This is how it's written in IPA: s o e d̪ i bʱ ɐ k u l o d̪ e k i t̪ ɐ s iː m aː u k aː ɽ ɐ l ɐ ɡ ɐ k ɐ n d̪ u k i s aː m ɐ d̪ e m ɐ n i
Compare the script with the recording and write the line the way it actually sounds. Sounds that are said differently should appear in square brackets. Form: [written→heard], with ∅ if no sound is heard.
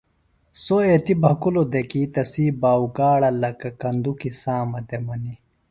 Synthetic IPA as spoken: s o e [d̪→t̪] i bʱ ɐ k u l o d̪ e k i t̪ ɐ s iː [m→b] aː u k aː ɽ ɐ l ɐ [ɡ→k] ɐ k ɐ n d̪ u k i s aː m ɐ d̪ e m ɐ n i